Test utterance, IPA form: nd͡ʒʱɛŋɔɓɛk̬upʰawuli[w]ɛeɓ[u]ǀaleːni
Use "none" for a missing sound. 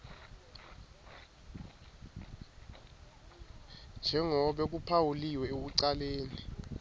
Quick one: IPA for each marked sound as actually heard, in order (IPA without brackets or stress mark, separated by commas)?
w, u